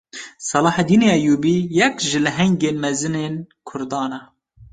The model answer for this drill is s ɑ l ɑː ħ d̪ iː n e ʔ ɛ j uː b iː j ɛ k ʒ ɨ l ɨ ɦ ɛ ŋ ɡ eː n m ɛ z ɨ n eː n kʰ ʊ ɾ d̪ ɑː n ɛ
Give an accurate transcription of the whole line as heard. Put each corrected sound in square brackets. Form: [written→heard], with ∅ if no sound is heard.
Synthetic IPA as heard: s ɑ l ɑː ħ d̪ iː n e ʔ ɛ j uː b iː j ɛ k ʒ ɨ l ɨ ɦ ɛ ŋ ɡ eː n m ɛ z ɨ n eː n kʰ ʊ ɾ d̪ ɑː n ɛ